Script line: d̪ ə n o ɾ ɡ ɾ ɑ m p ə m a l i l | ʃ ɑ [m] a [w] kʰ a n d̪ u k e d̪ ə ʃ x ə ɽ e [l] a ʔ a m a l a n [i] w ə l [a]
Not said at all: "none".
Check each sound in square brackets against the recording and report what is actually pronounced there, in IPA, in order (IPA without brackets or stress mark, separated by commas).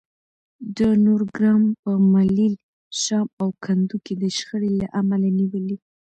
m, w, l, i, i